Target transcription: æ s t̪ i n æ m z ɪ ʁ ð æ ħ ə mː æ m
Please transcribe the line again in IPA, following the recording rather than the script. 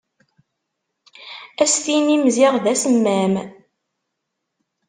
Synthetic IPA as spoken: æ s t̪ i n i m z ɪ ʁ ð æ s ə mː æ m